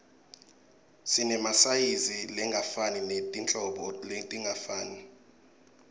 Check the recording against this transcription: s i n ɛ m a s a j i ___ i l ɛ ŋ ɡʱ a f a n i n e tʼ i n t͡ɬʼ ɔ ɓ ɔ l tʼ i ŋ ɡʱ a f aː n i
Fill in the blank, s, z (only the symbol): z